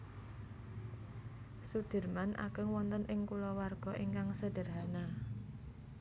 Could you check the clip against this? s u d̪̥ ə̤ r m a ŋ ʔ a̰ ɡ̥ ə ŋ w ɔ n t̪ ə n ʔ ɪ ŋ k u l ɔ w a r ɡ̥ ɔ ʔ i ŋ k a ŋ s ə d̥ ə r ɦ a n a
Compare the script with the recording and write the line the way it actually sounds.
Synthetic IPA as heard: s u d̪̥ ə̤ r m a n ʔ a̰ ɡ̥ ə ŋ w ɔ n t̪ ə n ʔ ɪ ŋ k u l ɔ w a r ɡ̥ ɔ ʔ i ŋ k a ŋ s ə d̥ ə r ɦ a n a